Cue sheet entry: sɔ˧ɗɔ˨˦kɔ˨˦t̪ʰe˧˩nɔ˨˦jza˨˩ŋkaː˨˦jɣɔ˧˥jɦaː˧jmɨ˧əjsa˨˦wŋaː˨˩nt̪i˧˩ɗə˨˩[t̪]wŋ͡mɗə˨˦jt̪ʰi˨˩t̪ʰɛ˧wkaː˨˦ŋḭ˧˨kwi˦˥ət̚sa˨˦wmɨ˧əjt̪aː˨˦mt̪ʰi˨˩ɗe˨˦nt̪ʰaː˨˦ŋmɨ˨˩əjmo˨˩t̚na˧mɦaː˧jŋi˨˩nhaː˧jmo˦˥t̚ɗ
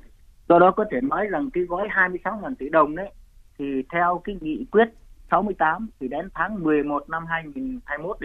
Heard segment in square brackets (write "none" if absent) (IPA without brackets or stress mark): none